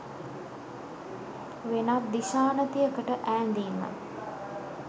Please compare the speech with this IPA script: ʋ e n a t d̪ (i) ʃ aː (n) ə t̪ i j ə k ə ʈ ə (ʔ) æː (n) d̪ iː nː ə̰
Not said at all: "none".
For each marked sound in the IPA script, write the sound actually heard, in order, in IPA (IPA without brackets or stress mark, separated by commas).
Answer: i, n, ʔ, n